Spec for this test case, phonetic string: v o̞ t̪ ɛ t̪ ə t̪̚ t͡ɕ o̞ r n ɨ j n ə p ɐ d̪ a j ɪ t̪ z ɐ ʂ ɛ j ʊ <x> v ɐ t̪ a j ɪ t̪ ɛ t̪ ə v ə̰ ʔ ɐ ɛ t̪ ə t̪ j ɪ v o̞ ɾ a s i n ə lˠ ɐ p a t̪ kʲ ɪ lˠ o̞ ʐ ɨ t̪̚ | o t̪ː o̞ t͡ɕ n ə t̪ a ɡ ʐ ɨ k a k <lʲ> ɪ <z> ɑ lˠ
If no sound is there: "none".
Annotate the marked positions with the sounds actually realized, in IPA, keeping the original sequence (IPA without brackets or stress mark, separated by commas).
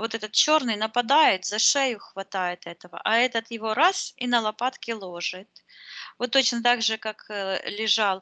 x, lʲ, ʐ